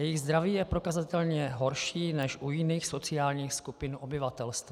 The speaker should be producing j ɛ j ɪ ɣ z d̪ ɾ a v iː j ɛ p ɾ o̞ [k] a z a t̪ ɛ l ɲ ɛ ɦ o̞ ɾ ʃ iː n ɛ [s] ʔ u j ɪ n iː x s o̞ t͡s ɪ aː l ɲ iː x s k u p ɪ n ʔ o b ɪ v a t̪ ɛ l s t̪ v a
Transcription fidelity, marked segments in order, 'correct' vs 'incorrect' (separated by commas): correct, incorrect